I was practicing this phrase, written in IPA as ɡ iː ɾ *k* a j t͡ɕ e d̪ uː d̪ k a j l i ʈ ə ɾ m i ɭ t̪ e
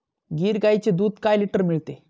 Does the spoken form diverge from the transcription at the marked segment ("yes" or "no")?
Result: yes